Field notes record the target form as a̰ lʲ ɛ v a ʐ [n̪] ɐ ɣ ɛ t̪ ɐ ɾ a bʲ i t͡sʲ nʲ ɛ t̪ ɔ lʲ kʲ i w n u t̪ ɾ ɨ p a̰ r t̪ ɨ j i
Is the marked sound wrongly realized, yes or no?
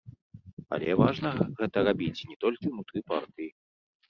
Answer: no